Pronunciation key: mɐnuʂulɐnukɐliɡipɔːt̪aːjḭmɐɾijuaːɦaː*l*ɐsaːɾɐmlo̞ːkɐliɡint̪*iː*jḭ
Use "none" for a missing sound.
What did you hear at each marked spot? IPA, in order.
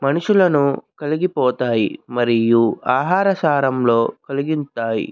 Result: ɾ, aː

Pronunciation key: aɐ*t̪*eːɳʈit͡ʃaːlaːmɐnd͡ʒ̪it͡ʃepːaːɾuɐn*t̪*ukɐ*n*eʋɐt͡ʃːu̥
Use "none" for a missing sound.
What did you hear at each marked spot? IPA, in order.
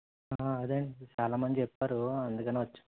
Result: d̪, d̪, n

